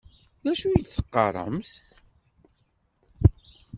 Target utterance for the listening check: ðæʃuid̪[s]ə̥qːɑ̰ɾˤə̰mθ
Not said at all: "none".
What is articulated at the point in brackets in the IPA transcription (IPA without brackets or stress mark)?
θ